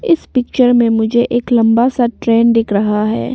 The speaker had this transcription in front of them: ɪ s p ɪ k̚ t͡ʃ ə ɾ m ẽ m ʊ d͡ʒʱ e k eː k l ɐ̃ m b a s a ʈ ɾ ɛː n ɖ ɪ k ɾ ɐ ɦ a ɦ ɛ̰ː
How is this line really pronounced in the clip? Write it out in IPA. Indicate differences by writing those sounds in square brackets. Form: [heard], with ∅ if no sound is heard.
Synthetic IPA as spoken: ɪ s p ɪ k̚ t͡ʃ ə ɾ m ẽ m ʊ d͡ʒʱ e [ʔ] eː k l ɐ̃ m b a s a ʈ ɾ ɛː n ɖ ɪ k ɾ ɐ ɦ a ɦ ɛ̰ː